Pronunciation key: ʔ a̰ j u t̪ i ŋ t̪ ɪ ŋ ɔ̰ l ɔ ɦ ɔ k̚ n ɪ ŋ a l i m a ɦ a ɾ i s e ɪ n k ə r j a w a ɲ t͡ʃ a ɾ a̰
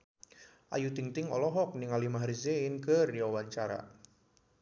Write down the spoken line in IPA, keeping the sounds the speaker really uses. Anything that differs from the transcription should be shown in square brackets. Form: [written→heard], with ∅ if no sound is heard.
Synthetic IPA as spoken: ʔ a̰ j u t̪ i ŋ t̪ ɪ ŋ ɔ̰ l ɔ ɦ ɔ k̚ n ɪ ŋ a l i m a ɦ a ɾ i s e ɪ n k ə r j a w a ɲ t͡ʃ a ɾ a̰